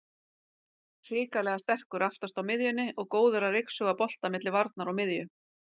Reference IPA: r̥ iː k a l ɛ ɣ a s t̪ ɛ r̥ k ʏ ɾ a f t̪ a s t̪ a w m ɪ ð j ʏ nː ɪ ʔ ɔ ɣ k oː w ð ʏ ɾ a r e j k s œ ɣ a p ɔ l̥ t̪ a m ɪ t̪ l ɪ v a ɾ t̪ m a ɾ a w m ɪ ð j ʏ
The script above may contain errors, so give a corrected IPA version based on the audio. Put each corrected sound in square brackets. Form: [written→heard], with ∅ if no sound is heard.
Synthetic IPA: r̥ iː k a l ɛ ɣ a s t̪ ɛ r̥ k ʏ ɾ a f t̪ a s t̪ a w m ɪ ð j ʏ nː ɪ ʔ ɔ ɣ k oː w ð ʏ ɾ a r e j k s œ ɣ a p ɔ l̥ t̪ a m ɪ t̪ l ɪ v a ɾ t̪ [m→n] a ɾ a w m ɪ ð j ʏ